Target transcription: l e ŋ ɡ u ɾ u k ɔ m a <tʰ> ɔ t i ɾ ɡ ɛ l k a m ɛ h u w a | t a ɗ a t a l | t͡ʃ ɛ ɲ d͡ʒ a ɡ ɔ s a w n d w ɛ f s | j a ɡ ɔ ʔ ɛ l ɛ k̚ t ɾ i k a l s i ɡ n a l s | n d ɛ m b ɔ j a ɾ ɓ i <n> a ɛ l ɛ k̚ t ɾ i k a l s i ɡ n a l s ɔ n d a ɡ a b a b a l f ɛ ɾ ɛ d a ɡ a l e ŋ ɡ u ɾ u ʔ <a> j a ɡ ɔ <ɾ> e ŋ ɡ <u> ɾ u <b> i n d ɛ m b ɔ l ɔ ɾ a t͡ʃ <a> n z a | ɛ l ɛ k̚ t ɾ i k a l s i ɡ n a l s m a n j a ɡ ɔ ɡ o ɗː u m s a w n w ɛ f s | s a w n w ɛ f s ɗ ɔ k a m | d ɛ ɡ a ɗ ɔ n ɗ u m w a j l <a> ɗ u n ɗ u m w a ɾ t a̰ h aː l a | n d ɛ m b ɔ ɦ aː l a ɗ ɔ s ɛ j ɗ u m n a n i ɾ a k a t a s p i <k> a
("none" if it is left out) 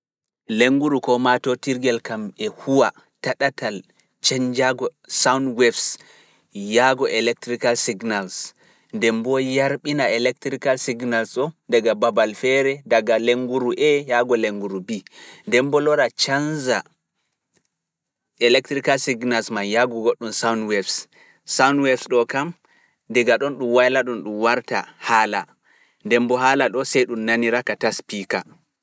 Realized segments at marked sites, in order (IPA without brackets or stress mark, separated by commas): t, n, ɛ, l, u, b, a, a, k